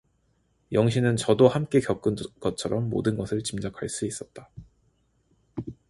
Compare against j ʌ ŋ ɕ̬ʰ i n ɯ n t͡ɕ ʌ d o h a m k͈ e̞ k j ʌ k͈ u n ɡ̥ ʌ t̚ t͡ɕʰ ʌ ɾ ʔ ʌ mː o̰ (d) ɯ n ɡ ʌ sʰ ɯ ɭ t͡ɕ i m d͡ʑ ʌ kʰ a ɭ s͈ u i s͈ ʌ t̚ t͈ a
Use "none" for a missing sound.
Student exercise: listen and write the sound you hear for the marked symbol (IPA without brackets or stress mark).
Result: d